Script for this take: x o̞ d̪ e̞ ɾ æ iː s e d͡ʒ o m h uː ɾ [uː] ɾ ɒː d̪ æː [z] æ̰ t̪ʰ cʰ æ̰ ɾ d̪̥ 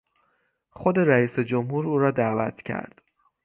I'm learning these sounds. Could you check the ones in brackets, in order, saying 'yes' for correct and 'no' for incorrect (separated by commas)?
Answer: yes, no